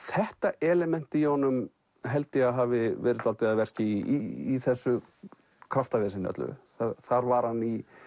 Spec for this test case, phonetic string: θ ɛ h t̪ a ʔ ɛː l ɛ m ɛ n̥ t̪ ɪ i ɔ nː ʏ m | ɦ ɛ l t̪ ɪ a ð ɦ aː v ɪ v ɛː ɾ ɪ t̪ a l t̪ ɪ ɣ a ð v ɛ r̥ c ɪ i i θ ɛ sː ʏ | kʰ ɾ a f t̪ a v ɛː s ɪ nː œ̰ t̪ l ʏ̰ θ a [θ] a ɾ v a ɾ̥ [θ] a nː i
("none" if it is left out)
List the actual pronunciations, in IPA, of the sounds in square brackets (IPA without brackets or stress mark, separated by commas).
θ, h